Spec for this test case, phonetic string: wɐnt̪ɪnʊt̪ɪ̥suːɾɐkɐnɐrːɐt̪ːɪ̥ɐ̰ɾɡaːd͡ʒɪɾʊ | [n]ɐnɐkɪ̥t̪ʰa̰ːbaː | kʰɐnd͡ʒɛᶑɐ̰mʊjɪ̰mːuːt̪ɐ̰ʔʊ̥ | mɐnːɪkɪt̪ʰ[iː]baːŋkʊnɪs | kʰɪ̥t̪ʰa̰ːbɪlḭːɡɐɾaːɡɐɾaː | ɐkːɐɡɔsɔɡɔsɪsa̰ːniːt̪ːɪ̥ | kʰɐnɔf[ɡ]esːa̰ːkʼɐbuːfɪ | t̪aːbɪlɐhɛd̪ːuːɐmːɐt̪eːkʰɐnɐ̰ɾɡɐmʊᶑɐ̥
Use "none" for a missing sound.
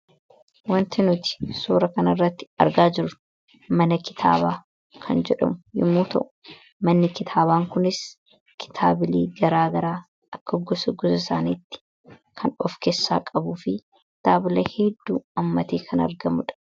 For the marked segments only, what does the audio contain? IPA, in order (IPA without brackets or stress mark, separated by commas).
m, aː, k